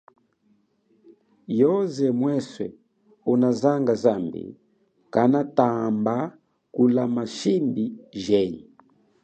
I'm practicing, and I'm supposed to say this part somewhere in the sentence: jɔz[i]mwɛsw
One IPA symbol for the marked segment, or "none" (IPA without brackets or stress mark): ɛ